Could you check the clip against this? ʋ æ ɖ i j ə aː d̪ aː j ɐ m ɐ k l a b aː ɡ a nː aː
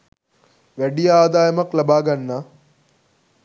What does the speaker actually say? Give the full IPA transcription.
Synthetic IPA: ʋ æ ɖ i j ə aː d̪ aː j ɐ m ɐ k l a b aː ɡ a nː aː